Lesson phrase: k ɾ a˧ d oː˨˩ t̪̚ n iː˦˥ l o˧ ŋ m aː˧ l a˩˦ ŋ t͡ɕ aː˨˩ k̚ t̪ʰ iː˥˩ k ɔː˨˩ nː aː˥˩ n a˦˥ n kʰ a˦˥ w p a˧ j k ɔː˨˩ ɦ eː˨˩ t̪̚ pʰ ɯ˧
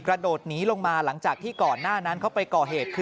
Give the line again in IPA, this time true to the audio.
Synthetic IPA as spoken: k ɾ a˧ d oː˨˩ t̪̚ n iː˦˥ l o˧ ŋ m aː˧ l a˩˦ ŋ t͡ɕ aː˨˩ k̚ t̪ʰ iː˥˩ k ɔː˨˩ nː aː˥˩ n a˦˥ n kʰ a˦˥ w p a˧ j k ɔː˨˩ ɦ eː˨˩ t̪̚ kʰ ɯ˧